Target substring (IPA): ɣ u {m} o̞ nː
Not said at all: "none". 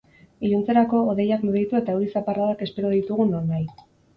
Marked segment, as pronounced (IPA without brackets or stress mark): n